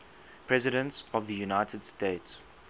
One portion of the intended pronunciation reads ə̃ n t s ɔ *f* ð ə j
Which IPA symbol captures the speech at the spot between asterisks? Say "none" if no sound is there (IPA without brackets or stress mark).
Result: v